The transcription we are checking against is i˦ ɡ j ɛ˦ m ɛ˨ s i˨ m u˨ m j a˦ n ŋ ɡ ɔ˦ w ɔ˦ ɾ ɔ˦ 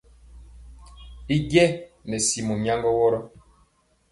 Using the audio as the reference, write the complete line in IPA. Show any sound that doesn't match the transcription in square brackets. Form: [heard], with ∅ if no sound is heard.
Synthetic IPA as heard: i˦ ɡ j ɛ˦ [n] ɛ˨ s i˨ m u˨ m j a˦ [∅] ŋ ɡ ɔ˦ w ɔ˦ ɾ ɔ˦